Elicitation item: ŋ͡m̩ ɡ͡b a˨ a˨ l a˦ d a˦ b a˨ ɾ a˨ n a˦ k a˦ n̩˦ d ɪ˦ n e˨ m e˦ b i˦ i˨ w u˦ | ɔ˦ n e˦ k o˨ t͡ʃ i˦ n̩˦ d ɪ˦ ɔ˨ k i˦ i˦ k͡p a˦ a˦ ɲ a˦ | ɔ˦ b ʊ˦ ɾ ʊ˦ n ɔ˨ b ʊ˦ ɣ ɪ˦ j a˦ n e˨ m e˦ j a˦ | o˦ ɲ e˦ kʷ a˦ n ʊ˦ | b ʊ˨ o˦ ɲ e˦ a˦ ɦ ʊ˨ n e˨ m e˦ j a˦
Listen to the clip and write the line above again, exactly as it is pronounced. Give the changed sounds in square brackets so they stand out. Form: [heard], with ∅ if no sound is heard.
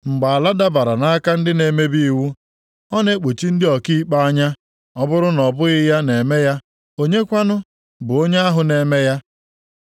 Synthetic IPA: ŋ͡m̩ ɡ͡b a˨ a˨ l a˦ d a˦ b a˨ ɾ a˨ n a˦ k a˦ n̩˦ d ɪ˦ n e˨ m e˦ b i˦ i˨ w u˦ | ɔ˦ n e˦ [k͡p] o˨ t͡ʃ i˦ n̩˦ d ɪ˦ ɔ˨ k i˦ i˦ k͡p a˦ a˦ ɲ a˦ | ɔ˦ b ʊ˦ ɾ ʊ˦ n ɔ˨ b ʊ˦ ɣ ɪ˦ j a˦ n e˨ m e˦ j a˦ | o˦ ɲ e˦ kʷ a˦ n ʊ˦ | b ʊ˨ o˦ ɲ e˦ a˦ ɦ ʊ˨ n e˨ m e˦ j a˦